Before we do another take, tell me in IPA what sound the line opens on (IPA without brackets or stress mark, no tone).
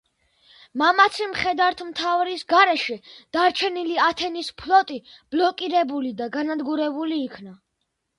m